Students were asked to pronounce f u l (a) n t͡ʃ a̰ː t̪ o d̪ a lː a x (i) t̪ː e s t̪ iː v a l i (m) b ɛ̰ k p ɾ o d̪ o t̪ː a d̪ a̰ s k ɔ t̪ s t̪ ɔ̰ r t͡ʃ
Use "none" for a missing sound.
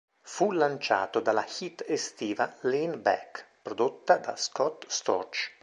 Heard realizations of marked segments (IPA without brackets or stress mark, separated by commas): a, i, n